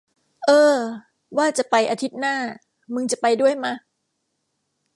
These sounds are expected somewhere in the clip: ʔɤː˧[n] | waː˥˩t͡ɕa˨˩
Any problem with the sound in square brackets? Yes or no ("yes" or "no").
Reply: yes